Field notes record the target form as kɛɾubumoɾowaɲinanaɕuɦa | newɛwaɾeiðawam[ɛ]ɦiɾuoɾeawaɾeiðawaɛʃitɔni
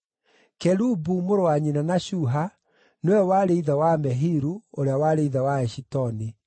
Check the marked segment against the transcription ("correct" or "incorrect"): correct